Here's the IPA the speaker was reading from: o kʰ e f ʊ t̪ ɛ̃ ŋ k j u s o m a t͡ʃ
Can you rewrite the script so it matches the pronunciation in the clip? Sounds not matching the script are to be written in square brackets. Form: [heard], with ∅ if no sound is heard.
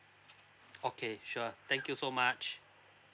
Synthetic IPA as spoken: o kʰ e [ʃ] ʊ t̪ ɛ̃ ŋ k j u s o m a t͡ʃ